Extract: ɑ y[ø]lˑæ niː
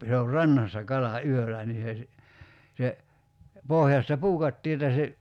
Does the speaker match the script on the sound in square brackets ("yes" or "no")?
yes